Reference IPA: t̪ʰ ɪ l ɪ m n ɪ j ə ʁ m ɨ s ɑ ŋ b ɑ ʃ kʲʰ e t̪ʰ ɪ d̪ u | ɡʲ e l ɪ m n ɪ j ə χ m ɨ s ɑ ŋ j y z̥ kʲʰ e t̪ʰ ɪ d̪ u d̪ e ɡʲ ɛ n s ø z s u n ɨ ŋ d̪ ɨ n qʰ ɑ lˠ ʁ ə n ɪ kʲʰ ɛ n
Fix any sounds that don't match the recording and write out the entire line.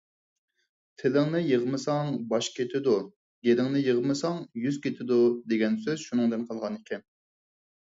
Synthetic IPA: t̪ʰ ɪ l ɪ ŋ n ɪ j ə ʁ m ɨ s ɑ ŋ b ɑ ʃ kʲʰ e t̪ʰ ɪ d̪ u | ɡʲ e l ɪ ŋ n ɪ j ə ʁ m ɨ s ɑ ŋ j y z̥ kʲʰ e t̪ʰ ɪ d̪ u d̪ e ɡʲ ɛ n s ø z ʃ u n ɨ ŋ d̪ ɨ n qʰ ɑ lˠ ʁ ɑ n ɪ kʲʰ ɛ n